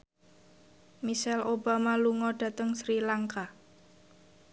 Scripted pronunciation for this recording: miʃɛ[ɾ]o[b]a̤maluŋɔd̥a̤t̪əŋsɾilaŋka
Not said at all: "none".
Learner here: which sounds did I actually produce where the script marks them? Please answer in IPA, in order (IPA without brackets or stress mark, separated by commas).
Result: l, b